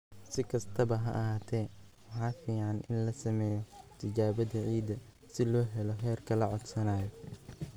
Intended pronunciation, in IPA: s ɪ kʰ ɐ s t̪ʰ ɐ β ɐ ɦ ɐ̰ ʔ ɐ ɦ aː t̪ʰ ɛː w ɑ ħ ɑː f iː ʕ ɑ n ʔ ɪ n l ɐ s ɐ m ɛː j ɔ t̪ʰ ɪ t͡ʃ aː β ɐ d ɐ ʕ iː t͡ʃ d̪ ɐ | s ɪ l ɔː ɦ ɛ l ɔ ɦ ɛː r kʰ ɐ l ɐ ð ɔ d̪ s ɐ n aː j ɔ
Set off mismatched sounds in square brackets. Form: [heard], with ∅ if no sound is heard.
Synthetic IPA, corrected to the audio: s ɪ kʰ ɐ s t̪ʰ ɐ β ɐ ɦ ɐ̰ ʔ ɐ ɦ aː t̪ʰ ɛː w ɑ ħ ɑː f iː ʕ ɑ n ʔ ɪ n l ɐ s ɐ m ɛː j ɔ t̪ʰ ɪ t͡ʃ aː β ɐ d ɐ ʕ iː [∅] d̪ ɐ | s ɪ l ɔː ɦ ɛ l ɔ ɦ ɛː r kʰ ɐ l ɐ [ʕ] ɔ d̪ s ɐ n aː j ɔ